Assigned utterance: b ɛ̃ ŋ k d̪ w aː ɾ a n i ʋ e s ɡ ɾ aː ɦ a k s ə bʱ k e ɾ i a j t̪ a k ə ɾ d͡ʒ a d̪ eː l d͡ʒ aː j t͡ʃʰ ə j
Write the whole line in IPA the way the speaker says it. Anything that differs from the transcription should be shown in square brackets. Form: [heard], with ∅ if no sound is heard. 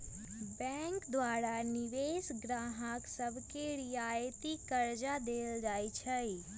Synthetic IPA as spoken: b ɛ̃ ŋ k d̪ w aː ɾ a n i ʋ e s ɡ ɾ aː ɦ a k s ə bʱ k e ɾ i a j t̪ [i] k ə ɾ d͡ʒ a d̪ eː l d͡ʒ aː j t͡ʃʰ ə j